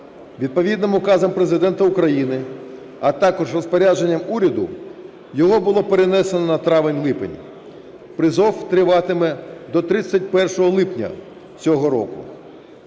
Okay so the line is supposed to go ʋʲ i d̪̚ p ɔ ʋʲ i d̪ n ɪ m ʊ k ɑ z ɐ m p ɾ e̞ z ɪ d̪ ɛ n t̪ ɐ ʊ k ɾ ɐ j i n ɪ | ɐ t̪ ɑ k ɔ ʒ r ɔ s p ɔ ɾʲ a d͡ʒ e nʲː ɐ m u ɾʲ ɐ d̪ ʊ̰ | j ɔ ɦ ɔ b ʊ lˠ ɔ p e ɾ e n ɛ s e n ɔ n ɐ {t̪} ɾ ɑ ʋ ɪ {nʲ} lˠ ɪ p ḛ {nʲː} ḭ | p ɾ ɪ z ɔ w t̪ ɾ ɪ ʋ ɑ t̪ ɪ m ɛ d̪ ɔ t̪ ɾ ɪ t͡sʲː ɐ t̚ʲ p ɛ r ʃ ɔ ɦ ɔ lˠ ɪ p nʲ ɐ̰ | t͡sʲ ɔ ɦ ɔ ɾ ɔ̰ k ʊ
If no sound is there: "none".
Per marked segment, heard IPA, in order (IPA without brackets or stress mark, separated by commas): t̪, nʲ, nʲ